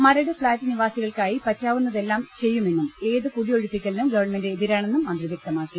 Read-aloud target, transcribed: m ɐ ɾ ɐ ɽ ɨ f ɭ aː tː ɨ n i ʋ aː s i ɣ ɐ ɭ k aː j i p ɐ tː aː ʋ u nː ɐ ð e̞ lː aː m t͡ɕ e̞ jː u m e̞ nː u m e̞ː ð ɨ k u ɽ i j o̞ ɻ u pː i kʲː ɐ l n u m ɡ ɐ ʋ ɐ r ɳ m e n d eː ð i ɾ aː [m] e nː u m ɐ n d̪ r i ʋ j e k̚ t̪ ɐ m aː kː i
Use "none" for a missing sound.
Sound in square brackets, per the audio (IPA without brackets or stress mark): ɳ